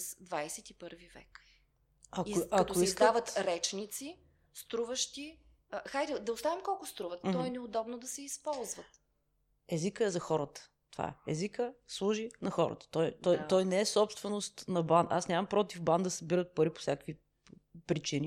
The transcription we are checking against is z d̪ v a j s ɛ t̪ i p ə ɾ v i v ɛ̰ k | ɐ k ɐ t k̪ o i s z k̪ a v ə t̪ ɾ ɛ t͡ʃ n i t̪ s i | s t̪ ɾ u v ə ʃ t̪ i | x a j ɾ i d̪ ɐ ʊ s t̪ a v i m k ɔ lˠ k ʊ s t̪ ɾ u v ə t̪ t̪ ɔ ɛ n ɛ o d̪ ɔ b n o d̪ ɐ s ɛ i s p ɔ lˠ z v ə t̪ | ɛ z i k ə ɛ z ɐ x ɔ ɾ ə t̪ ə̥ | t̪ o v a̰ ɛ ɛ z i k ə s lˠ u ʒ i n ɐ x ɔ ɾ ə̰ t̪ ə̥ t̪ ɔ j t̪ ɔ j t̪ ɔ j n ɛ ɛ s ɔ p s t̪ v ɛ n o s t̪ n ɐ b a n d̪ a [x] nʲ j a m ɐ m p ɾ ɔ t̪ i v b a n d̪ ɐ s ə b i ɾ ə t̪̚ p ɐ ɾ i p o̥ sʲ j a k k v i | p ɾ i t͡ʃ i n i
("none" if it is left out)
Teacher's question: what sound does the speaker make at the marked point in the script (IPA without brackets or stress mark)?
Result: s